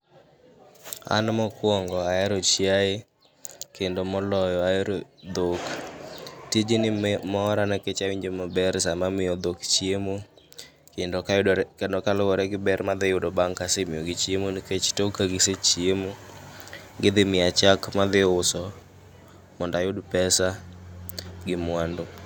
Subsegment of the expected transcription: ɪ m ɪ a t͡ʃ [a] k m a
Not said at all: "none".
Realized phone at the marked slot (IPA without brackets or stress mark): a